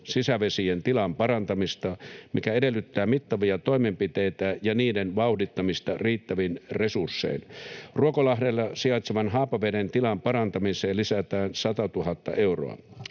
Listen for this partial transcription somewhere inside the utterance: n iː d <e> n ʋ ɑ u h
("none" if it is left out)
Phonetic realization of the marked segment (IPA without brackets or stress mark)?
e